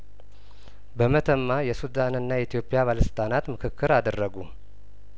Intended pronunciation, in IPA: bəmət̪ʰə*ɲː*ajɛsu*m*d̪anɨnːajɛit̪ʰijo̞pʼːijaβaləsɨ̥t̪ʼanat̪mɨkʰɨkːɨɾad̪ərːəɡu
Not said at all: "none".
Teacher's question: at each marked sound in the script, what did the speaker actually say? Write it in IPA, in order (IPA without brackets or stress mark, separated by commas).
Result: mː, none